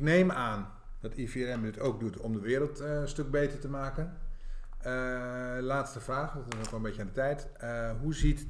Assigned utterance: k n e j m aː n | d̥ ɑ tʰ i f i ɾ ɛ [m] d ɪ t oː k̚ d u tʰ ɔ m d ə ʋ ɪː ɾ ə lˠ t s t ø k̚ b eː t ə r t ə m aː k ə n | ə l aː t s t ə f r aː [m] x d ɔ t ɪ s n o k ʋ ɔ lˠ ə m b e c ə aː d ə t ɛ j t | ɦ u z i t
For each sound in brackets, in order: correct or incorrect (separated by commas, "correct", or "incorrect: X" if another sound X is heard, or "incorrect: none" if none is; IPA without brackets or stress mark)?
correct, incorrect: none